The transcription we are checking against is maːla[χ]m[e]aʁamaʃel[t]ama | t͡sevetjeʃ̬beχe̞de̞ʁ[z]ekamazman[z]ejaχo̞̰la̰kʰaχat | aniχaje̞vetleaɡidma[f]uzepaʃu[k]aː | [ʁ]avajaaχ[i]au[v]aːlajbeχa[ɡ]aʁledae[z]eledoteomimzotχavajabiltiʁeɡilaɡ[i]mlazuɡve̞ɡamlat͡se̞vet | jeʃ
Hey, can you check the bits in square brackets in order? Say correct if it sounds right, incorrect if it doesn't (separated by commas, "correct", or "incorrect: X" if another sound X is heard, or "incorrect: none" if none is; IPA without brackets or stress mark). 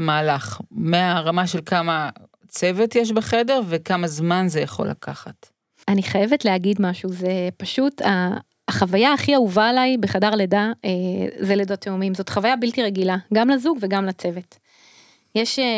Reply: correct, correct, incorrect: k, incorrect: v, correct, incorrect: ʃ, incorrect: t, incorrect: χ, correct, correct, incorrect: d, correct, incorrect: a